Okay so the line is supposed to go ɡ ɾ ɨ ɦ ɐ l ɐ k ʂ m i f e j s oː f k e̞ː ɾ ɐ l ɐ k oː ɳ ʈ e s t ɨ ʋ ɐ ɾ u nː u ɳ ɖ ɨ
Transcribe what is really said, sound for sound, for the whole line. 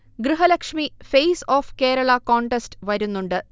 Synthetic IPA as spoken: ɡ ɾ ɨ ɦ ɐ l ɐ k ʂ m i f e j s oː f k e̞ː ɾ ɐ ɭ ɐ k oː ɳ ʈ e s t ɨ ʋ ɐ ɾ u nː u ɳ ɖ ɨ